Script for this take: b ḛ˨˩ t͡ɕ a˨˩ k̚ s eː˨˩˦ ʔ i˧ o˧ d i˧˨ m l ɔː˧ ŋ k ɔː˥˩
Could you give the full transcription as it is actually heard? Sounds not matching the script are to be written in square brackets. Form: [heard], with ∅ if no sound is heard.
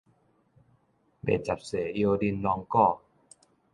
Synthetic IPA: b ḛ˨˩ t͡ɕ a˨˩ [p̚] s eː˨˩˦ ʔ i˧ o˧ d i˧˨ [n] l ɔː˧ ŋ k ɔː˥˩